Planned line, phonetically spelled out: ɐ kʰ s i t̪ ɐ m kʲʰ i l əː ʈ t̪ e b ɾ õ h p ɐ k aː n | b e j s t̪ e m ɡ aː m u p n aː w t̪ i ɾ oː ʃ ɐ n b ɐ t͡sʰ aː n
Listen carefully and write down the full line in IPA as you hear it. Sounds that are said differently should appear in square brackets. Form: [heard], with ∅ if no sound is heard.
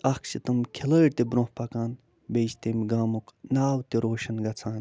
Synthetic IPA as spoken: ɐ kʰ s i t̪ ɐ m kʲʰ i l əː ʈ t̪ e b ɾ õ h p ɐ k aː n | b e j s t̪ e m ɡ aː m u [k] n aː w t̪ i ɾ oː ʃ ɐ n [ɡ] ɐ t͡sʰ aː n